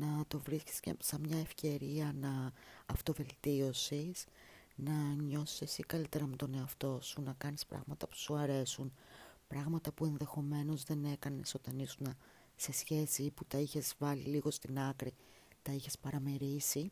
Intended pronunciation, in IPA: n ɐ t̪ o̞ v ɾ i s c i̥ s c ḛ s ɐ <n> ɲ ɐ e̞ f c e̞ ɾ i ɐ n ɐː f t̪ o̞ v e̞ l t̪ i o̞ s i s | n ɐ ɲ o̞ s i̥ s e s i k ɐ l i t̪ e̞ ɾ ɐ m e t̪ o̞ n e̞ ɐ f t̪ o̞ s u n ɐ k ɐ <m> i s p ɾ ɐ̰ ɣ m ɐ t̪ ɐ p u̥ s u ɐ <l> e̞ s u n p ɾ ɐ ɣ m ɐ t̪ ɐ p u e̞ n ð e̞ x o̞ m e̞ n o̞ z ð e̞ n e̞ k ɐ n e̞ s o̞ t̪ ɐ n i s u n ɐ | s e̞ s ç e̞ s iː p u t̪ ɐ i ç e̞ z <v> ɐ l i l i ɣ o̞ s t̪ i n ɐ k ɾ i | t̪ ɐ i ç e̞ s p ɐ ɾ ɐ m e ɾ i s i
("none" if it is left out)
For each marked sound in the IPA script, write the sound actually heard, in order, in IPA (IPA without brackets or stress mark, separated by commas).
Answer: m, n, ɾ, v